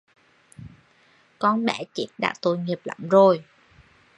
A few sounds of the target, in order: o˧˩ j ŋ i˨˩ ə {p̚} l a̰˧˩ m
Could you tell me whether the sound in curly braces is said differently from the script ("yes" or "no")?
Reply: no